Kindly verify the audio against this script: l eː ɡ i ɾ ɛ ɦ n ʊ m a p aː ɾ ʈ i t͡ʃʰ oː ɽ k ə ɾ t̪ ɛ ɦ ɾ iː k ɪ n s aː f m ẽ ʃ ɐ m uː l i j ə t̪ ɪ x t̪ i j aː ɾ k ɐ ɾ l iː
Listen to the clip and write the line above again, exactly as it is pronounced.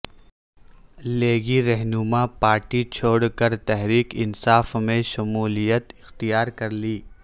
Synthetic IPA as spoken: l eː ɡ i ɾ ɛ ɦ n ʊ m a p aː ɾ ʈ i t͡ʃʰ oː ɽ k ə ɾ t̪ ɛ ɦ ɾ iː k ɪ n s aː f m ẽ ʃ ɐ m uː l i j ə t̪ ɪ x t̪ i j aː ɾ k ɐ ɾ l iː

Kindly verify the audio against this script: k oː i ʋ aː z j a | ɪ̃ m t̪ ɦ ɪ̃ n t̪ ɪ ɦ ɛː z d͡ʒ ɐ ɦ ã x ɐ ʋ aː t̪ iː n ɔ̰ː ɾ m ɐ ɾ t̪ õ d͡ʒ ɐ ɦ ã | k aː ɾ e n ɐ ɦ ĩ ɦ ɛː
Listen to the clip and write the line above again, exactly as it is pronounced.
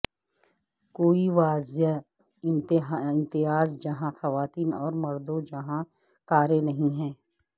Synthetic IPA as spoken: k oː i ʋ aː z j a | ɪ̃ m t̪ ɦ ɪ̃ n t̪ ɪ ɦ aː z d͡ʒ ɐ ɦ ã x ɐ ʋ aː t̪ iː n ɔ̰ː ɾ m ɐ ɾ d̪ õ d͡ʒ ɐ ɦ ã | k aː ɾ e n ɐ ɦ ĩ ɦ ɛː

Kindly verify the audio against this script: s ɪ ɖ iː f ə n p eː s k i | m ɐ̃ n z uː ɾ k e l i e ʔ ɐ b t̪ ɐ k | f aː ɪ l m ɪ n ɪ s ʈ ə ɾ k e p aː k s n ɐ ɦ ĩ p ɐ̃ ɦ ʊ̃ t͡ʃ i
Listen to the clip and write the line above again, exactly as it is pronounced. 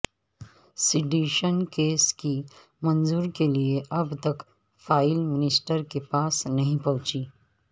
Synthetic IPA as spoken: s ɪ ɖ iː ʃ ə n k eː s k i | m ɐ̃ n z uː ɾ k e l i e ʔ ɐ b t̪ ɐ k | f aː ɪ l m ɪ n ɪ s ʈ ə ɾ k e p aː s n ɐ ɦ ĩ p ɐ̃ ɦ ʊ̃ t͡ʃ i

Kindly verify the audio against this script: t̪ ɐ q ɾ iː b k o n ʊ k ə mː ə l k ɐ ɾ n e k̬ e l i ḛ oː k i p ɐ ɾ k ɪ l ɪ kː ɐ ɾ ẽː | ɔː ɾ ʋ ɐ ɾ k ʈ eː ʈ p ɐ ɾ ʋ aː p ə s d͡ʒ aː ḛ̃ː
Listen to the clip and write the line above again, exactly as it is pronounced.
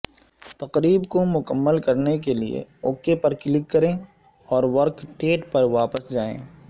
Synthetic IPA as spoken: t̪ ɐ q ɾ iː b k o m ʊ k ə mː ə l k ɐ ɾ n e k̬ e l i ḛ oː k e p ɐ ɾ k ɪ l ɪ kː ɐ ɾ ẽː | ɔː ɾ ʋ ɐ ɾ k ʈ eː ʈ p ɐ ɾ ʋ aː p ə s d͡ʒ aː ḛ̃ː

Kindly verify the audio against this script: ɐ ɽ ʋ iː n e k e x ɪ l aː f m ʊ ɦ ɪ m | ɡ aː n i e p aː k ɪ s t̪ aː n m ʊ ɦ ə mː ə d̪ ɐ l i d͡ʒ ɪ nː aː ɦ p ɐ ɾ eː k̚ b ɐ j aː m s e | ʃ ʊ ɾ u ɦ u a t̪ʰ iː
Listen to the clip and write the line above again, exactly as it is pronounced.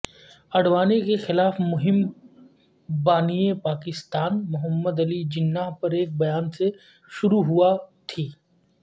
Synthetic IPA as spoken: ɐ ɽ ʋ aː n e k e x ɪ l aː f m ʊ ɦ ɪ m | b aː n i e p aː k ɪ s t̪ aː n m ʊ ɦ ə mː ə d̪ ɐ l i d͡ʒ ɪ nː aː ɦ p ɐ ɾ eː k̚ b ɐ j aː n s e | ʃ ʊ ɾ u ɦ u a t̪ʰ iː

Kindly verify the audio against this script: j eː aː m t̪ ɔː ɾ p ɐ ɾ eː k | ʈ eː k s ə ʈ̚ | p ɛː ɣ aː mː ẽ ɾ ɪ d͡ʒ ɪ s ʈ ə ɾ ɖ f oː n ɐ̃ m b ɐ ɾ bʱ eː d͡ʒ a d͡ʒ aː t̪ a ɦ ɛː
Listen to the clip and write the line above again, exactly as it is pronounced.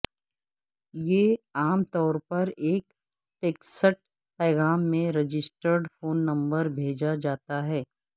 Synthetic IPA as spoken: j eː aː m t̪ ɔː ɾ p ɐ ɾ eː k | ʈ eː k s ə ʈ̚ | p ɛː ɣ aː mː ẽ ɾ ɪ d͡ʒ ɪ s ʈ ə ɾ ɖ f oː nː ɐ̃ m b ə ɾ bʱ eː d͡ʒ a d͡ʒ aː t̪ a ɦ ɛː

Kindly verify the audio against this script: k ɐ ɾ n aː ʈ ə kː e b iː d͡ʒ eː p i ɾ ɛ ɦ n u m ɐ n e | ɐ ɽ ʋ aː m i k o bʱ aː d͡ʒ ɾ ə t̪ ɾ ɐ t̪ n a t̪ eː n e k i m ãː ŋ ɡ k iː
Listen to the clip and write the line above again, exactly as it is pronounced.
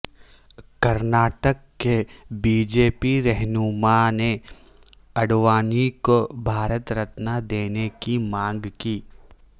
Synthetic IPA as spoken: k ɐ ɾ n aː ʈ ə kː e b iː d͡ʒ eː p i ɾ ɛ ɦ n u m a n e | ɐ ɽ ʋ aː n i k o bʱ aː ɾ ə t̪ ɾ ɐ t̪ n a d̪ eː n e k i m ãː ŋ ɡ k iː

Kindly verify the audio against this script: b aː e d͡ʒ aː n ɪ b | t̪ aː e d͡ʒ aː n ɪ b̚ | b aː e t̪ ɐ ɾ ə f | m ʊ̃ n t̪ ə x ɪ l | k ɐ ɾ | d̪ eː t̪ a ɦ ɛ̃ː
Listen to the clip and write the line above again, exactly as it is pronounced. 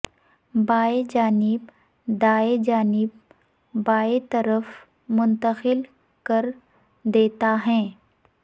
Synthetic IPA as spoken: b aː e d͡ʒ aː n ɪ b | d̪ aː e d͡ʒ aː n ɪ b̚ | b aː e t̪ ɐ ɾ ə f | m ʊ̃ n t̪ ə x ɪ l | k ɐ ɾ | d̪ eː t̪ a ɦ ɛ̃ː

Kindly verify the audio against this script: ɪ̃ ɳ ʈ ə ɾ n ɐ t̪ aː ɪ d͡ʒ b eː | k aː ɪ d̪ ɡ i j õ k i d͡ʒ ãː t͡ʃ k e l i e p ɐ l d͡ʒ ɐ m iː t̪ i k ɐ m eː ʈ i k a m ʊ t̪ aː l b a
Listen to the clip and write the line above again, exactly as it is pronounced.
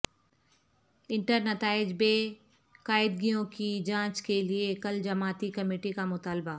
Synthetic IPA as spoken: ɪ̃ ɳ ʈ ə ɾ n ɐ t̪ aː ɪ d͡ʒ b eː | k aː ɪ d̪ ɡ i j õ k i d͡ʒ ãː t͡ʃ k e l i e k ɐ l d͡ʒ ɐ m aː t̪ i k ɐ m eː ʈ i k a m ʊ t̪ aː l b a

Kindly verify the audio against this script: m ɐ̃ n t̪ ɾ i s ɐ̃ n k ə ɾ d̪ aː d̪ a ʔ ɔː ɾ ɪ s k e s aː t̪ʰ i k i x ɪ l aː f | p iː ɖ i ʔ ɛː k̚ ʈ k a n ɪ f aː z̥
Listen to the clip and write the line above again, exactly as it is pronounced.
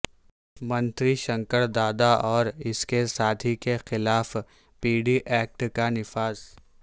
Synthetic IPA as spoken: m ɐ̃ n t̪ ɾ i ʃ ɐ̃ ŋ k ə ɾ d̪ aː d̪ a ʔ ɔː ɾ ɪ s k e s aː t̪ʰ i k e x ɪ l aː f | p iː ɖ i ʔ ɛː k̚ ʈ k a n ɪ f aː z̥

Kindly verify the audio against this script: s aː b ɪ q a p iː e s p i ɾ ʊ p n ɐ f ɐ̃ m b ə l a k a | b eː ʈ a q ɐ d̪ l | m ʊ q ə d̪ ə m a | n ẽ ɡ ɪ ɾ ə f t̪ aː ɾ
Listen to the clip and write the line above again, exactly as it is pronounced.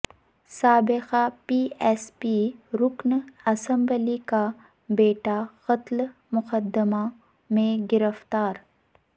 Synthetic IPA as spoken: s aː b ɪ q a p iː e s p i ɾ ʊ k n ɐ s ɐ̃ m b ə l i k a | b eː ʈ a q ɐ t̪ l | m ʊ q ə d̪ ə m a | m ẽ ɡ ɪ ɾ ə f t̪ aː ɾ

